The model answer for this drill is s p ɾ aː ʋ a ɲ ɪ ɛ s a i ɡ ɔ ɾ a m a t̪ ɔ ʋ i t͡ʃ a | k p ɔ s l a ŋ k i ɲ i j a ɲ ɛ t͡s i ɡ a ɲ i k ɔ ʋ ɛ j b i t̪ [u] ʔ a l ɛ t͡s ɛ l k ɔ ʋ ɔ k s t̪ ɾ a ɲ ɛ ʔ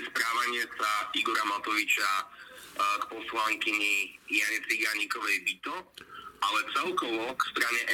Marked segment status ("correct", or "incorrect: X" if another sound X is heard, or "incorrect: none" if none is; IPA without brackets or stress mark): incorrect: ɔ